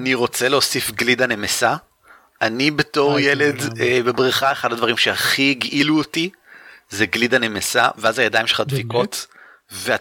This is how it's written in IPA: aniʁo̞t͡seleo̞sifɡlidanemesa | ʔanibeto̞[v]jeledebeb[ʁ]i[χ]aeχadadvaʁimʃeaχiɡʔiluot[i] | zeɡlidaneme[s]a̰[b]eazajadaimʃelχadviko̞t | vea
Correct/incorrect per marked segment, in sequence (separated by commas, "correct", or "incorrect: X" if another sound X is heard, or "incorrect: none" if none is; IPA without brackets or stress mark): incorrect: ʁ, correct, correct, correct, correct, incorrect: v